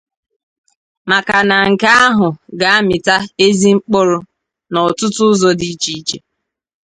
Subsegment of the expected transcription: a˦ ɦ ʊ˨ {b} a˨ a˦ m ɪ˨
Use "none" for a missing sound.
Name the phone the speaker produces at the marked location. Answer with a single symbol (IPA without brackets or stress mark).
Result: ɡ